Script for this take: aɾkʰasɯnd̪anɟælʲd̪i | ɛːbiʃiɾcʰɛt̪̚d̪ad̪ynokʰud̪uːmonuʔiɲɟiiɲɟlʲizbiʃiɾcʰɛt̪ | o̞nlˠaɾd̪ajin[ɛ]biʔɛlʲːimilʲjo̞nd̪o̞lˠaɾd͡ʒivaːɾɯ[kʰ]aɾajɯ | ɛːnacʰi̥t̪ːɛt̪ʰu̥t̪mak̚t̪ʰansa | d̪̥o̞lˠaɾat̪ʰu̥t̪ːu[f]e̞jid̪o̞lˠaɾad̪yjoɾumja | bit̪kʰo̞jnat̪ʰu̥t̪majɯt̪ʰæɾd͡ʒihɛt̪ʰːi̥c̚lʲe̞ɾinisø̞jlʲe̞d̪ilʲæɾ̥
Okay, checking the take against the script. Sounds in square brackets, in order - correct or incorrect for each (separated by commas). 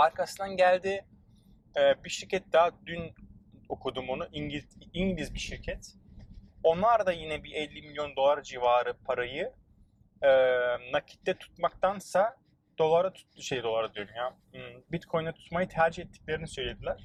correct, incorrect, incorrect